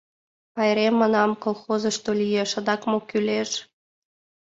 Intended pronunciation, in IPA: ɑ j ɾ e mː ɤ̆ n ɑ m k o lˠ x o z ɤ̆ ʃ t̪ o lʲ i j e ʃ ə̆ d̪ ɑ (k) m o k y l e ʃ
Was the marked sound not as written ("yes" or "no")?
no